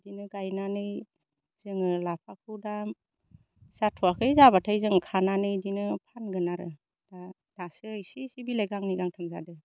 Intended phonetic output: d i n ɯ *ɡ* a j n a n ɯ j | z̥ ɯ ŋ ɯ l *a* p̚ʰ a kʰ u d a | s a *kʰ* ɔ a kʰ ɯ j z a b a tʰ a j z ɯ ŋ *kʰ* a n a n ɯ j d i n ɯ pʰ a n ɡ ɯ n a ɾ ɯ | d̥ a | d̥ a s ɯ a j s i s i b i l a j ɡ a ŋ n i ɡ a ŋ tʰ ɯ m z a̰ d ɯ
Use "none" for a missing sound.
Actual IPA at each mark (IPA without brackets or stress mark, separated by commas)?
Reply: ɡ, a, tʰ, kʰ